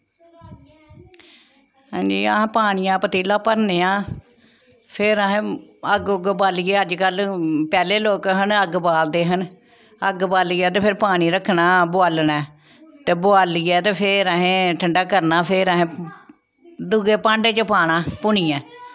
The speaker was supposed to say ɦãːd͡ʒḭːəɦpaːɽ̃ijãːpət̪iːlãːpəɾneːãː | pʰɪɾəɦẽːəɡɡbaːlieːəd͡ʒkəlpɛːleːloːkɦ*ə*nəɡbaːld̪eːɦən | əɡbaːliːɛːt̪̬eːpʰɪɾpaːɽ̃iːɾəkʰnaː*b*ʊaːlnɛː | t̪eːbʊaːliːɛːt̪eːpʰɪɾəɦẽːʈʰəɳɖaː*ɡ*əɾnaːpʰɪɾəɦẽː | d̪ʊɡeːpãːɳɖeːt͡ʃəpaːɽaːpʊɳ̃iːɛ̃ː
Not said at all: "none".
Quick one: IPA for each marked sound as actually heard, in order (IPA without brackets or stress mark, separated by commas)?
ə, b, k